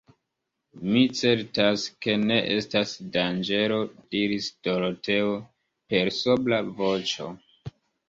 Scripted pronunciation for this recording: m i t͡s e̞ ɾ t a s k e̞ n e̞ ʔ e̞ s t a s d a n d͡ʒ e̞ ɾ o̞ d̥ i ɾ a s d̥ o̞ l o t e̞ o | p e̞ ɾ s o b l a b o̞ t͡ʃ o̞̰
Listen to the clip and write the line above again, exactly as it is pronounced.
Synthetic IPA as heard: m i t͡s e̞ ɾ t a s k e̞ n e̞ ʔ e̞ s t a s d a n d͡ʒ e̞ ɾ o̞ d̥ i ɾ i s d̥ o̞ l o t e̞ o | p e̞ ɾ s o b l a v o̞ t͡ʃ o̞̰

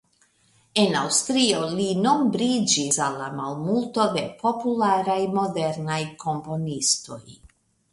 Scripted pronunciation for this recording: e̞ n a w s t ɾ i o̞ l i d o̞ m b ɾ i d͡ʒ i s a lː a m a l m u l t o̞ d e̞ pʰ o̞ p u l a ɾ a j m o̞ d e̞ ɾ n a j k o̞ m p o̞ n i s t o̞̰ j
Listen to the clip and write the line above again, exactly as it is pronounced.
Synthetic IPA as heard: e̞ n a w s t ɾ i o̞ l i n o̞ m b ɾ i d͡ʒ i s a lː a m a l m u l t o̞ d e̞ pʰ o̞ p u l a ɾ a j m o̞ d e̞ ɾ n a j k o̞ m p o̞ n i s t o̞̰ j

